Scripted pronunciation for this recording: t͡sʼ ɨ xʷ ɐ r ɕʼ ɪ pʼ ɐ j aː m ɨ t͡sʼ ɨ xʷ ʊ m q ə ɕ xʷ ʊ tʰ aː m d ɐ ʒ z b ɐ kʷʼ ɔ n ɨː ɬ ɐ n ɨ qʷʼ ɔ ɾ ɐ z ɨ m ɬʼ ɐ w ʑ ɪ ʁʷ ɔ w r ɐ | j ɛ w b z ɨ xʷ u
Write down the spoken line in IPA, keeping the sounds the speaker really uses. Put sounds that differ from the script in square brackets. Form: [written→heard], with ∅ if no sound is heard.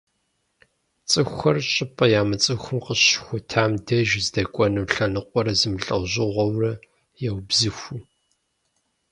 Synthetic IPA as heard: t͡sʼ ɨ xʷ ɐ r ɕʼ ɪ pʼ ɐ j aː m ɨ t͡sʼ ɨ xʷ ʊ m q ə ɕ xʷ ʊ tʰ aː m d ɐ ʒ z [b→d] ɐ kʷʼ ɔ n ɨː ɬ ɐ n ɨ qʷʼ ɔ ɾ ɐ z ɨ m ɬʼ ɐ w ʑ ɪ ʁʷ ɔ w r ɐ | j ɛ w b z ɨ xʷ u